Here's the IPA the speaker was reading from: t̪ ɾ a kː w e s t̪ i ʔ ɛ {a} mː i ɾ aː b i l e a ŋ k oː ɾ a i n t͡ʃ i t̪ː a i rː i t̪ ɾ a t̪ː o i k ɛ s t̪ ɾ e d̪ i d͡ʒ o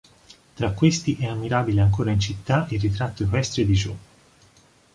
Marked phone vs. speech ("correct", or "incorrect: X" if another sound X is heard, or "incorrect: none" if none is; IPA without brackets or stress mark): correct